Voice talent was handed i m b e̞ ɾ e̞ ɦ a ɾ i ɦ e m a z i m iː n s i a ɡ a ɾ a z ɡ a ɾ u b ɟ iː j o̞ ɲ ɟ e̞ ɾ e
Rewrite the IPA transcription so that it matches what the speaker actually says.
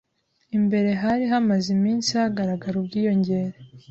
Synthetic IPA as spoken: i m b e̞ ɾ e̞ ɦ a ɾ i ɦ a m a z i m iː n s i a ɡ a ɾ a ɡ a ɾ u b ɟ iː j o̞ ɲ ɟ e̞ ɾ e